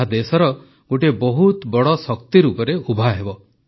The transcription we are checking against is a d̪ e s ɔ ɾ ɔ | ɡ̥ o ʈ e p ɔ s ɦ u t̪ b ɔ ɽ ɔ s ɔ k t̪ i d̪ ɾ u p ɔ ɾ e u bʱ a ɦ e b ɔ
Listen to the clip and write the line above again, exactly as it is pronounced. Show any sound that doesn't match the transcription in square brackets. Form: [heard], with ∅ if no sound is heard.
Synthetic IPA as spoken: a d̪ e s ɔ ɾ ɔ | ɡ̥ o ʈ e [b] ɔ [∅] ɦ u t̪ b ɔ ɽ ɔ s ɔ k t̪ i [∅] ɾ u p ɔ ɾ e u bʱ a ɦ e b ɔ

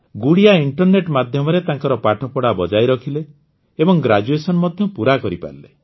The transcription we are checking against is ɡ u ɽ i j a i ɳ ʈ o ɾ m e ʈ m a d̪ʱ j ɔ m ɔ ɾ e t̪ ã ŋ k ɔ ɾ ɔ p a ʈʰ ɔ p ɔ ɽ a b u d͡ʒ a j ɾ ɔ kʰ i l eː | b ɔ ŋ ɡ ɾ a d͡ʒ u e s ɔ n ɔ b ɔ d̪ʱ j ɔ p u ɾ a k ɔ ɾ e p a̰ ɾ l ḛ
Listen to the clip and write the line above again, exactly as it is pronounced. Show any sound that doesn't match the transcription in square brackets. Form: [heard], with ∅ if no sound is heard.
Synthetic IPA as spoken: ɡ u ɽ i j a i ɳ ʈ [ɔ] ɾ [n] e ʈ m a d̪ʱ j ɔ m ɔ ɾ e t̪ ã ŋ k ɔ ɾ ɔ p a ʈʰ ɔ p ɔ ɽ a b [ɔ] d͡ʒ a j ɾ ɔ kʰ i l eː | b ɔ ŋ ɡ ɾ a d͡ʒ u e s ɔ n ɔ [m] ɔ d̪ʱ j ɔ p u ɾ a k ɔ ɾ [i] p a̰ ɾ l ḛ

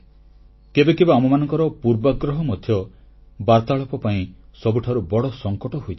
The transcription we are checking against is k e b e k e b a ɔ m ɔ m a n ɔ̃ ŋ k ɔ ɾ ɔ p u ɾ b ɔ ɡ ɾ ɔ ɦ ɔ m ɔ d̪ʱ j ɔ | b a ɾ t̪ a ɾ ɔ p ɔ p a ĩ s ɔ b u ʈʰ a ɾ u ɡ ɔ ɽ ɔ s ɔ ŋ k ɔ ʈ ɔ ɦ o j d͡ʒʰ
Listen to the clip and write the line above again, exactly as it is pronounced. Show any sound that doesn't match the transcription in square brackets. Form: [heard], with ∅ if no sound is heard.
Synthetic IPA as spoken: k e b e k e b a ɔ m ɔ m a n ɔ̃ ŋ k ɔ ɾ ɔ p u ɾ b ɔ ɡ ɾ ɔ ɦ ɔ m ɔ d̪ʱ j ɔ | b a ɾ t̪ a [ɭ] ɔ p ɔ p a ĩ s ɔ b u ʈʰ a ɾ u [b] ɔ ɽ ɔ s ɔ ŋ k ɔ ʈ ɔ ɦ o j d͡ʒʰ

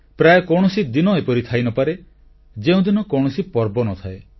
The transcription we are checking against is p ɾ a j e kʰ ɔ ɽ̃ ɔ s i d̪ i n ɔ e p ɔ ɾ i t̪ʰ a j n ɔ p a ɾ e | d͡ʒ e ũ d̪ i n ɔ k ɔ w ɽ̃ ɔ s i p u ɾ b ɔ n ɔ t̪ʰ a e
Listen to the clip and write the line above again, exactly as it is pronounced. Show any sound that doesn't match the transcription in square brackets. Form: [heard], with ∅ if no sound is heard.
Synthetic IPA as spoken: p ɾ a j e [k] ɔ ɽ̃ ɔ s i d̪ i n ɔ e p ɔ ɾ i t̪ʰ a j n ɔ p a ɾ e | d͡ʒ e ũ d̪ i n ɔ k ɔ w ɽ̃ ɔ s i p [ɔ] ɾ b ɔ n ɔ t̪ʰ a e

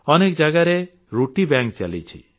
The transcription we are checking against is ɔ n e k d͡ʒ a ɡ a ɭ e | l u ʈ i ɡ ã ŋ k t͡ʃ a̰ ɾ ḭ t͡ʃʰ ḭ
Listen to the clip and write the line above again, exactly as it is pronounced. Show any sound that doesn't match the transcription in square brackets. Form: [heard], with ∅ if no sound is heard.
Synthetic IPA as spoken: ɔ n e k d͡ʒ a ɡ a [ɾ] e | [ɾ] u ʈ i [b] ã ŋ k t͡ʃ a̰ [l] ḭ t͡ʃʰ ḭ

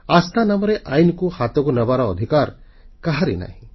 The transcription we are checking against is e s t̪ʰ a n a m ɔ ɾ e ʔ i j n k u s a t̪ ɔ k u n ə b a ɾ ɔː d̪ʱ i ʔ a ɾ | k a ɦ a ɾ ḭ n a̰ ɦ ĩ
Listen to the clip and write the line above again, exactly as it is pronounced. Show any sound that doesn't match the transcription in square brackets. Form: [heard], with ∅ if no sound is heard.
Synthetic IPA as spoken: [a] s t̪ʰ a n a m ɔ ɾ e ʔ [a] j n k u [h] a t̪ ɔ k u n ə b a ɾ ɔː d̪ʱ i [k] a ɾ | k a ɦ a ɾ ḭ n a̰ ɦ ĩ

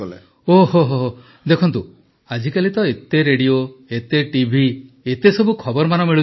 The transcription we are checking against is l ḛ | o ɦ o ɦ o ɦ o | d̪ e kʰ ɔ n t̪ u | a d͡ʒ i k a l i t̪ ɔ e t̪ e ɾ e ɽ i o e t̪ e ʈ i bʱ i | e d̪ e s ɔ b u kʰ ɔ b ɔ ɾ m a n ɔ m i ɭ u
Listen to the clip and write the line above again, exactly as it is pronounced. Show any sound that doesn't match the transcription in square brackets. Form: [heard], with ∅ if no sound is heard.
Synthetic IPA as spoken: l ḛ | o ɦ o ɦ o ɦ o | d̪ e kʰ ɔ n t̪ u | a d͡ʒ i k a l i t̪ ɔ e t̪ e ɾ e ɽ i o e t̪ e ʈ i bʱ i | e [t̪] e s ɔ b u kʰ ɔ b ɔ ɾ m a n ɔ m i ɭ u

